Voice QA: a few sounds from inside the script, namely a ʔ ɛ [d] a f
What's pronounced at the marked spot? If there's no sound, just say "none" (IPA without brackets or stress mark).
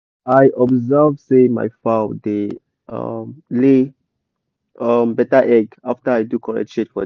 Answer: ɡ